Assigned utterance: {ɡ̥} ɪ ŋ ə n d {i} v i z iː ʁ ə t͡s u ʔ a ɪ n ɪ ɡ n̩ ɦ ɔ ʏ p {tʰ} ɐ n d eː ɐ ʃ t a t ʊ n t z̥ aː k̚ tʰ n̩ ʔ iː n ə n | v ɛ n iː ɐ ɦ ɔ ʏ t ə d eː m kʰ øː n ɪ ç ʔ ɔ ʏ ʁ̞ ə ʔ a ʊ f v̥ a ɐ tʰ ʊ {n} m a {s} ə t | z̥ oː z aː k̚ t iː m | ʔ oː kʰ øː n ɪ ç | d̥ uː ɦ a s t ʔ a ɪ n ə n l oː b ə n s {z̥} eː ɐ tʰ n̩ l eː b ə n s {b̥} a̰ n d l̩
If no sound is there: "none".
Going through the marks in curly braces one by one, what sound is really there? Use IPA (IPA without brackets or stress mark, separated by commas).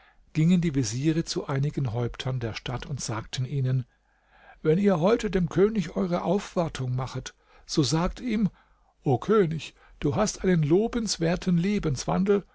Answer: ɡ̥, iː, tʰ, ŋ, χ, v̥, v̥